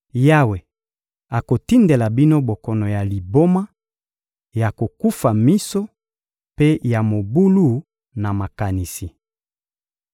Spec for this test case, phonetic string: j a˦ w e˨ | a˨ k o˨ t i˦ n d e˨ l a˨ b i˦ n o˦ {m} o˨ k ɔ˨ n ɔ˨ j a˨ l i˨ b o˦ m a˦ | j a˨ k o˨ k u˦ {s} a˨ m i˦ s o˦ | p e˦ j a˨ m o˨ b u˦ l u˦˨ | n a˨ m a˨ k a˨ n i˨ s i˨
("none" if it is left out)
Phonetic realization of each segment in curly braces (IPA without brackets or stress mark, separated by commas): b, f